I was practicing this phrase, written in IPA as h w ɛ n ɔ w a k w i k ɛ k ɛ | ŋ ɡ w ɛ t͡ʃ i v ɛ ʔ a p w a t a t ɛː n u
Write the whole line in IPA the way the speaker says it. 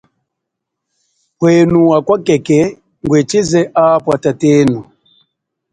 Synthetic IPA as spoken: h w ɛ n u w a k w a k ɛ k ɛ | ŋ ɡ w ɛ t͡ʃ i z ɛ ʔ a p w a t a t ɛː n u